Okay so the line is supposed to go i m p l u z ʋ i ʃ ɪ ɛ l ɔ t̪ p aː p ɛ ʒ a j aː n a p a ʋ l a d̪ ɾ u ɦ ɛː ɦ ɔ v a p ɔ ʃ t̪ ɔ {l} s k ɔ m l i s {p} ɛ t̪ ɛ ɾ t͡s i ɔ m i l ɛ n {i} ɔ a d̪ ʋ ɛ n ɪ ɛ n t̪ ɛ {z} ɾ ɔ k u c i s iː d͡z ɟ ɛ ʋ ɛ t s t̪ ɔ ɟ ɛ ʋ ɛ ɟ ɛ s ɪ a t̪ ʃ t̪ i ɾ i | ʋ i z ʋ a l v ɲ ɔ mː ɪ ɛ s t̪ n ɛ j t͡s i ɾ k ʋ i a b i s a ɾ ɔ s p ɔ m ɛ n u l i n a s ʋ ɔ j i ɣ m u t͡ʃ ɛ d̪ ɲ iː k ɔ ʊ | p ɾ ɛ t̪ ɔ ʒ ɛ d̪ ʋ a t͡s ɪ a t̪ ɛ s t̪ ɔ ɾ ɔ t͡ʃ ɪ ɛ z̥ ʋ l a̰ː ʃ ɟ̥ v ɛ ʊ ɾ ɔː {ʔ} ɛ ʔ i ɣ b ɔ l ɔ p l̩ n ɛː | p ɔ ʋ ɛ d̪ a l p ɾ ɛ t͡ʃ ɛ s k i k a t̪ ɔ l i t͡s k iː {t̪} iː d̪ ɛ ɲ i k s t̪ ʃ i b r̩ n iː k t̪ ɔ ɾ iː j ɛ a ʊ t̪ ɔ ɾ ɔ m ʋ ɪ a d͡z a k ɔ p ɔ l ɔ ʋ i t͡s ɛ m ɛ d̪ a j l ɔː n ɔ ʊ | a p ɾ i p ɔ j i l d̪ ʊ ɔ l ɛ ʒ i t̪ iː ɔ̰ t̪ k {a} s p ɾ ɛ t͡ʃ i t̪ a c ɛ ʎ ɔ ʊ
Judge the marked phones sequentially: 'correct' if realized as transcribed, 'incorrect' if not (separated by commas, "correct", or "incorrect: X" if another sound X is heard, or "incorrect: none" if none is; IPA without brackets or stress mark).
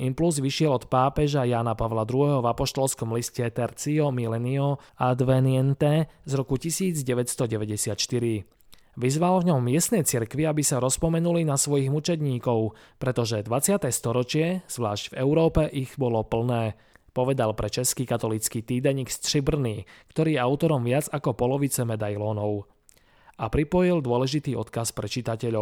correct, incorrect: c, correct, correct, incorrect: p, correct, correct